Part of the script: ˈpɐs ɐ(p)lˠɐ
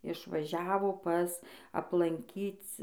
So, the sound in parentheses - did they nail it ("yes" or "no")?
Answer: yes